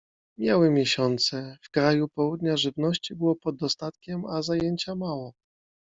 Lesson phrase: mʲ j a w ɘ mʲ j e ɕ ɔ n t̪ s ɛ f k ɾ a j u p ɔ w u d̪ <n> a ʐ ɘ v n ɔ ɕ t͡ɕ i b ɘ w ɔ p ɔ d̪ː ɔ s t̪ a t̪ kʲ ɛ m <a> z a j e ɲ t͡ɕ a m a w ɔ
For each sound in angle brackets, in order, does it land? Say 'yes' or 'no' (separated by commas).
no, yes